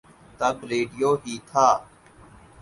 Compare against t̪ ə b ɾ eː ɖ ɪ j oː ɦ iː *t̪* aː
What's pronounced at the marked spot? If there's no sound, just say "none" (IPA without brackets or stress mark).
t̪ʰ